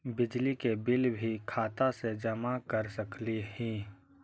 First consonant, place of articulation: labial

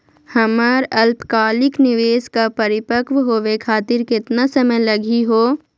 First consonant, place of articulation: glottal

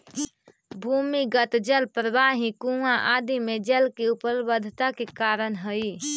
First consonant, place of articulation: labial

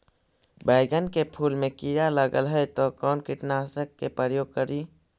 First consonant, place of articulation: labial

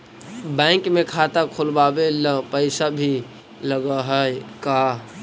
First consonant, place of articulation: labial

